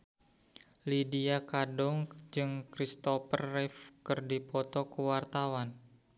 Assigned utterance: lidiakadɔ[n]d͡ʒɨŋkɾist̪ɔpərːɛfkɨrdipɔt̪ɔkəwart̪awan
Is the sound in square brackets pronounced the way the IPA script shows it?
no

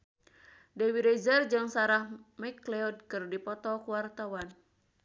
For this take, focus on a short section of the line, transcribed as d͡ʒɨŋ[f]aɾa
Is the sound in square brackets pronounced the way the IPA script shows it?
no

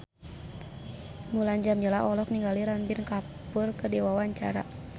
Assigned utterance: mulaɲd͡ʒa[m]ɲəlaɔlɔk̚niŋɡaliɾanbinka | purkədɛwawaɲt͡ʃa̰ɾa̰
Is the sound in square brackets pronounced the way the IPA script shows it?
yes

